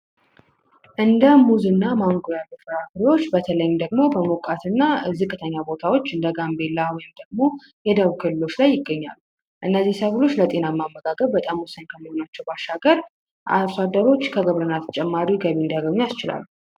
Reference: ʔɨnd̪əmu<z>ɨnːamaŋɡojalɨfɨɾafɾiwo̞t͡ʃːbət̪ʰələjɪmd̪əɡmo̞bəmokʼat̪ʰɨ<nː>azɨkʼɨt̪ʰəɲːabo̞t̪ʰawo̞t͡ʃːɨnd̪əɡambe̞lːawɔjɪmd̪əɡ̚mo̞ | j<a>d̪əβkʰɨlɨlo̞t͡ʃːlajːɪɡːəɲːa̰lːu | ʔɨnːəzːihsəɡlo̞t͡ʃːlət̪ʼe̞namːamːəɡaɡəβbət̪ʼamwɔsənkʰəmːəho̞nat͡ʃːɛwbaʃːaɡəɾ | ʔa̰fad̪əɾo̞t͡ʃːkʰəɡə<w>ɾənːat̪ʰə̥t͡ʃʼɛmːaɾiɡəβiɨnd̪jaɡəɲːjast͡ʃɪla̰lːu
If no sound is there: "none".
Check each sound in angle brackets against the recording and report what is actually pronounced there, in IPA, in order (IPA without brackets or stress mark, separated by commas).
z, nː, ɛ, β